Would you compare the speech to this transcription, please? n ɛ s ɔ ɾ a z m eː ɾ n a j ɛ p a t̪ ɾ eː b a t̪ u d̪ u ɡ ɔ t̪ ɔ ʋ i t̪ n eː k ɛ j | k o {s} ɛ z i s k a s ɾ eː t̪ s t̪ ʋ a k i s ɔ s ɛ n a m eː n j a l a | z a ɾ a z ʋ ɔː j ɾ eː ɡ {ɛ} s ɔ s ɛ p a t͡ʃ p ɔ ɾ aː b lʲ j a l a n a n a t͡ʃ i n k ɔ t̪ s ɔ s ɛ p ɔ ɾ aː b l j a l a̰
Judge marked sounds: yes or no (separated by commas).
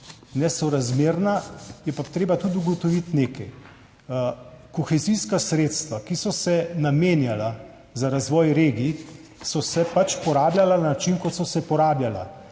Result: no, no